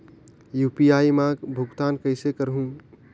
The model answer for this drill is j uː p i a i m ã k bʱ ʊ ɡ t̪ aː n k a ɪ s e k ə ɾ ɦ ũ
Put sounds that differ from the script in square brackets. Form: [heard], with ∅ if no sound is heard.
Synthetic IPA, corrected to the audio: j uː p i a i m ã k bʱ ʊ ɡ t̪ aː n k [ə] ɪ s e k ə ɾ ɦ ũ